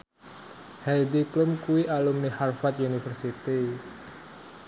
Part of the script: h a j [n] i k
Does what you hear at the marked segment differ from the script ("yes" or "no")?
yes